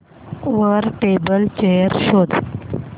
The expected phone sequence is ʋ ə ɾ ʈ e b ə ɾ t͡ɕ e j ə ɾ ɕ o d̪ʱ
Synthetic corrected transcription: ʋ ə ɾ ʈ e b ə l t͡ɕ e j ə ɾ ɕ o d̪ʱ